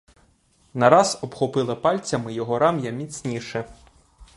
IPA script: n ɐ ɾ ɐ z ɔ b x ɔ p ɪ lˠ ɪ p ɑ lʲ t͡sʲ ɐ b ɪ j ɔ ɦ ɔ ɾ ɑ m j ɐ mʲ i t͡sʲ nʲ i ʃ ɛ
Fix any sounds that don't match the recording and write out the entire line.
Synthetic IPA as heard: n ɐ ɾ ɑ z ɔ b x ɔ p ɪ lˠ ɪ p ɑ lʲ t͡sʲ ɐ m ɪ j ɔ ɦ ɔ ɾ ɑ m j ɐ mʲ i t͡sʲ nʲ i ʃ ɛ